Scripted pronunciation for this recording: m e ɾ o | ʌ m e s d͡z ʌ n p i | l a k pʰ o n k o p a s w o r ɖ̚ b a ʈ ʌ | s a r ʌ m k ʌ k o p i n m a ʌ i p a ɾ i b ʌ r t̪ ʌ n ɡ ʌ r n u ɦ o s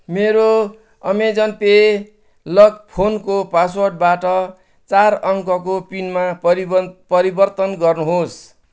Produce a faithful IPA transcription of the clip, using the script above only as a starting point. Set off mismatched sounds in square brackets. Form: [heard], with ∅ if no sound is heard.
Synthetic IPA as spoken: m e ɾ o | ʌ m e [∅] d͡z ʌ n p [e] | l [ʌ] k pʰ o n k o p a s w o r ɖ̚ b a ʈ ʌ | [t͡s] a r ʌ [ŋ] k ʌ k o p i n m a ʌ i p [ʌ] ɾ i b ʌ r t̪ ʌ n ɡ ʌ r n u ɦ o s